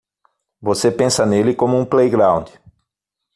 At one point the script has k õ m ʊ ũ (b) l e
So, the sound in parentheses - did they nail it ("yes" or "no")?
no